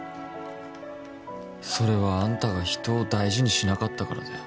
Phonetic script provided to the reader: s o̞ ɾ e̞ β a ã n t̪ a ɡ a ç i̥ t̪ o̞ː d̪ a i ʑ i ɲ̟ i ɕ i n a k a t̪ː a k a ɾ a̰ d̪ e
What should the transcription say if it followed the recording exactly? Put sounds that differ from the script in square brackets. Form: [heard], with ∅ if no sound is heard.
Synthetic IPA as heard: s o̞ ɾ e̞ β a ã n t̪ a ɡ a ç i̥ t̪ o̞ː d̪ a i ʑ i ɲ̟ i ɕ i n a k a t̪ː a k a ɾ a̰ d̪ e